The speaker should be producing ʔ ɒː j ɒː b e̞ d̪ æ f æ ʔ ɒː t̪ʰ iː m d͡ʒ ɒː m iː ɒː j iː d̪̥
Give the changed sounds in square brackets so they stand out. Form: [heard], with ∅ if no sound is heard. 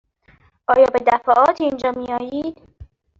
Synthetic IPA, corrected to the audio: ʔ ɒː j ɒː b e̞ d̪ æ f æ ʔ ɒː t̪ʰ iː [n] d͡ʒ ɒː m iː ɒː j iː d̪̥